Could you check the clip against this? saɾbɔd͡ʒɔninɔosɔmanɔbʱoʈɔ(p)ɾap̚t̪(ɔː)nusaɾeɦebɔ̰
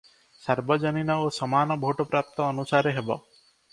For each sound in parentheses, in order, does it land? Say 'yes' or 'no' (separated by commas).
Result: yes, yes